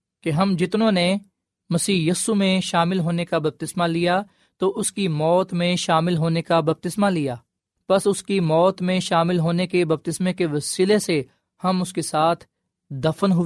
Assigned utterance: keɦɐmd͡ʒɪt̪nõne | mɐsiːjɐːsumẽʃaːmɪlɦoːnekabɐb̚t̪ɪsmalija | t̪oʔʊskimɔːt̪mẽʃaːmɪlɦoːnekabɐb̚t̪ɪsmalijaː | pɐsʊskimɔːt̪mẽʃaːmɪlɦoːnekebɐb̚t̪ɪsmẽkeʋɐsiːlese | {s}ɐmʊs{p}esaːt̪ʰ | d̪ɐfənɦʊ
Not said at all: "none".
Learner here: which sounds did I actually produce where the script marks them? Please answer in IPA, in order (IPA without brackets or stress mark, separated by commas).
h, k